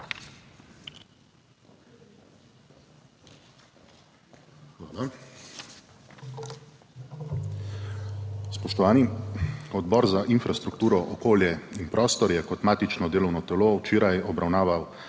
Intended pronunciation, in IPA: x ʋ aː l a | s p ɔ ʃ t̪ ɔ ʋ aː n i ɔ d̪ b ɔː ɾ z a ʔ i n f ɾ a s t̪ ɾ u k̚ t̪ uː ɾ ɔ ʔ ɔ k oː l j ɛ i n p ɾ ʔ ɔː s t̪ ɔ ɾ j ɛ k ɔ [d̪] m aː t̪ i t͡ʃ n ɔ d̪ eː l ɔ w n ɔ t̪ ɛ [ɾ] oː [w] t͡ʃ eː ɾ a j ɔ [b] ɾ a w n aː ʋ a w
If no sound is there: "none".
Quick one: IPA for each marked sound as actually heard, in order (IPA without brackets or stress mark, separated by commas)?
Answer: t̪, l, w, b